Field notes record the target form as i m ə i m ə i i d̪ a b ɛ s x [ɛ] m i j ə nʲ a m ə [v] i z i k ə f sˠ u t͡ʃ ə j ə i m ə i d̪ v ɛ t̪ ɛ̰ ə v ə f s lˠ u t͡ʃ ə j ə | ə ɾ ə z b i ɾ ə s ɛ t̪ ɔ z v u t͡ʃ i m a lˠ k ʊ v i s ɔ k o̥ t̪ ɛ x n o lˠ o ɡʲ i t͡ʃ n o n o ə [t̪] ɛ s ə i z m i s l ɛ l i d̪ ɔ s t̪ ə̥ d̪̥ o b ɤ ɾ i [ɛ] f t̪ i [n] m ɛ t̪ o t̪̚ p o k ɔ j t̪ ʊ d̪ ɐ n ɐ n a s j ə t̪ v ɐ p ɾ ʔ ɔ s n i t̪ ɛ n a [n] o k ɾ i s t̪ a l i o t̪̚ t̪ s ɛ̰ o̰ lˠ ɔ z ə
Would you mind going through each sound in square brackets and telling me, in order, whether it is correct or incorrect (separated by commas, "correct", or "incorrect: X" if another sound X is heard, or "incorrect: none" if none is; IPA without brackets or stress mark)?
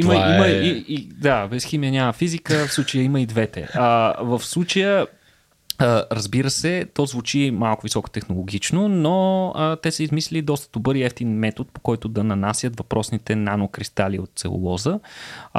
incorrect: i, incorrect: f, correct, correct, correct, correct